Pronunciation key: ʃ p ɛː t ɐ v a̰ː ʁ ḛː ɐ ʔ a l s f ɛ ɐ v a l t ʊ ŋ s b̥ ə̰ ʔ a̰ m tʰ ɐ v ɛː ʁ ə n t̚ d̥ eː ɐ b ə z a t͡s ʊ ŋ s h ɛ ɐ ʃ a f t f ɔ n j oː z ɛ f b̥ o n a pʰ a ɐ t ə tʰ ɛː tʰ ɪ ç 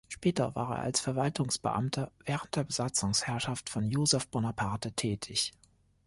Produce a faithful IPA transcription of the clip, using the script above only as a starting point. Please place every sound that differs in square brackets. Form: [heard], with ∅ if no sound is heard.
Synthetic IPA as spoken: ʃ p ɛː t ɐ v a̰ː ʁ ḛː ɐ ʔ a l s f ɛ ɐ v a l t ʊ ŋ s b̥ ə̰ ʔ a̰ m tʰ ɐ v ɛː ʁ ə n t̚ d̥ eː ɐ b ə z a t͡s ʊ ŋ s h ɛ ɐ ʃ a f t f ɔ n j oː z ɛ f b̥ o n a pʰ a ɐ t ə tʰ ɛː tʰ ɪ ç

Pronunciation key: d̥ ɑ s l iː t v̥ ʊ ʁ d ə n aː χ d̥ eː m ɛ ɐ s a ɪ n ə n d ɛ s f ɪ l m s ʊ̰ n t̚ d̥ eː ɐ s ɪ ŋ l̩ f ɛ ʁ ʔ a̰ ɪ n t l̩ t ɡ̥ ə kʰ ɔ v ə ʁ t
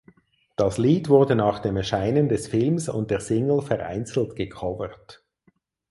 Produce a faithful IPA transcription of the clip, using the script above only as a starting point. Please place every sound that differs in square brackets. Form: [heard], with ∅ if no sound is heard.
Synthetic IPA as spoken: d̥ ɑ s l iː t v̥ ʊ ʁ d ə n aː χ d̥ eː m ɛ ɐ [ʃ] a ɪ n ə n d ɛ s f ɪ l m s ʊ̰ n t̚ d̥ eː ɐ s ɪ ŋ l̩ f ɛ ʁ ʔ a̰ ɪ n [t͡s] l̩ t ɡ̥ ə kʰ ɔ v ə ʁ t

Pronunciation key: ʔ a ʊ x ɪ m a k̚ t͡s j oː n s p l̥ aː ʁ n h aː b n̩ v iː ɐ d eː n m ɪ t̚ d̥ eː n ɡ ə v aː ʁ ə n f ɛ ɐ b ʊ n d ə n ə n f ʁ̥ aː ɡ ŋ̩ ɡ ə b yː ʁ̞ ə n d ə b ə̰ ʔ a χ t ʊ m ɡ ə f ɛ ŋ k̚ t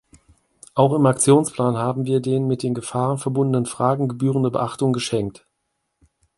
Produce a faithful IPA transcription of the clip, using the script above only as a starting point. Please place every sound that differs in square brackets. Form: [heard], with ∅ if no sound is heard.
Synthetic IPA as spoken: ʔ a ʊ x ɪ m a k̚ t͡s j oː n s p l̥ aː [∅] n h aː b [m̩] v iː ɐ d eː n m ɪ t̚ d̥ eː n ɡ ə [f] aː ʁ ə n f ɛ ɐ b ʊ n d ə n ə n f ʁ̥ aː ɡ ŋ̩ ɡ ə b yː ʁ̞ ə n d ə b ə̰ ʔ a χ t ʊ [ŋ] ɡ ə [ʃ] ɛ ŋ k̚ t

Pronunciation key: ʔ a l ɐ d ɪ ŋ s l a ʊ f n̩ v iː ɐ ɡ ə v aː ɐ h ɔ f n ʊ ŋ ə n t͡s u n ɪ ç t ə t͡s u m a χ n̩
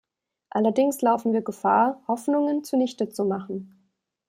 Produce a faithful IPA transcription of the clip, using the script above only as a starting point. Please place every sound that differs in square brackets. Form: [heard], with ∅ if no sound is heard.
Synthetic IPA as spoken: ʔ a l ɐ d ɪ ŋ s l a ʊ f n̩ v iː ɐ ɡ ə [f] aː ɐ h ɔ f n ʊ ŋ ə n t͡s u n ɪ ç t ə t͡s u m a χ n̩

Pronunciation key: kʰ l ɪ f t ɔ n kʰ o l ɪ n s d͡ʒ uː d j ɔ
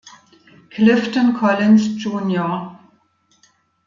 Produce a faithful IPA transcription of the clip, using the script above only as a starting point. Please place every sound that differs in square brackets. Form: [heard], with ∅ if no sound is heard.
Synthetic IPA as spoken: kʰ l ɪ f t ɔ n kʰ [ɔ] l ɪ n s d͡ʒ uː [n] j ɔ

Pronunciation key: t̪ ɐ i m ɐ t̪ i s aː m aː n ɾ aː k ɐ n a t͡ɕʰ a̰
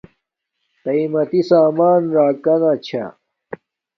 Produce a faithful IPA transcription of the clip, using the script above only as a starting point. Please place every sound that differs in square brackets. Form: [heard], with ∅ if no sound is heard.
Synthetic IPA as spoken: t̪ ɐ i m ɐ t̪ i s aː m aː n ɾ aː k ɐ n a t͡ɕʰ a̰

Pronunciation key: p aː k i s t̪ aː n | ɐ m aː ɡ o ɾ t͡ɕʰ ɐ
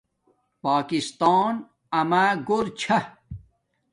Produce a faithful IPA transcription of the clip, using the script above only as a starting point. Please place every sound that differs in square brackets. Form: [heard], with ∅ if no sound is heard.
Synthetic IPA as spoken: p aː k i s t̪ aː n | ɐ m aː ɡ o ɾ t͡ɕʰ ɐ

